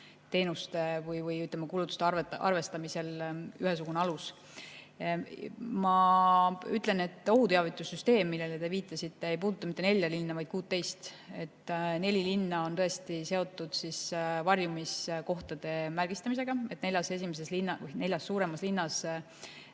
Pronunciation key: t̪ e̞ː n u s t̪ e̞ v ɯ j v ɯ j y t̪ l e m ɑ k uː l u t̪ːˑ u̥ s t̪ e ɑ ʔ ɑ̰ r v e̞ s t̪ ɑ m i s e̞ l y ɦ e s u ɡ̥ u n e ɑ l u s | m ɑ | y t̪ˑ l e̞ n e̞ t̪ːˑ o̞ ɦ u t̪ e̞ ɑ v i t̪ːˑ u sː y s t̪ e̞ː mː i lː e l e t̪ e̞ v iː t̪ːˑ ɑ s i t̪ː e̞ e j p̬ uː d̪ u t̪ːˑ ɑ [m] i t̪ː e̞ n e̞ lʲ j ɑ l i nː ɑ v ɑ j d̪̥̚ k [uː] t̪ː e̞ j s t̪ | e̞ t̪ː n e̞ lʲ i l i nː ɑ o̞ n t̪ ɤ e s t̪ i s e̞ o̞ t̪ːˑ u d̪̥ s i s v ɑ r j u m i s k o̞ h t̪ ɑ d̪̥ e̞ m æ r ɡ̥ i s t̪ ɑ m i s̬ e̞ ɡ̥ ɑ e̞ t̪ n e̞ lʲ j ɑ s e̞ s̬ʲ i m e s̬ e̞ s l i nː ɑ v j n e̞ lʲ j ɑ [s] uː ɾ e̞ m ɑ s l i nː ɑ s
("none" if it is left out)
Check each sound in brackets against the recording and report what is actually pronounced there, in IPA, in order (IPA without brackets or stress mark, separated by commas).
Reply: m, uː, sː